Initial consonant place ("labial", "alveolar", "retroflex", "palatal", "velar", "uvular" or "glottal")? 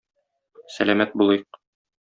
alveolar